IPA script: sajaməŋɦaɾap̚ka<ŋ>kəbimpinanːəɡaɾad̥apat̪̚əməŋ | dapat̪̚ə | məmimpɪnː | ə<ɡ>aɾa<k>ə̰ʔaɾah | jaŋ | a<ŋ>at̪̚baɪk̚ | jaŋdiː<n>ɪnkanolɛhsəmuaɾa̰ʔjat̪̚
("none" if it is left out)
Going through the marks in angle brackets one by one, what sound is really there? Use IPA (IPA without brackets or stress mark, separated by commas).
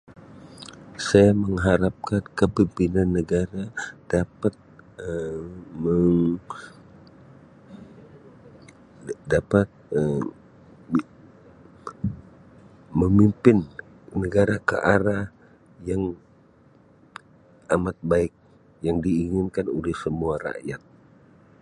n, ɡ, k, m, ŋ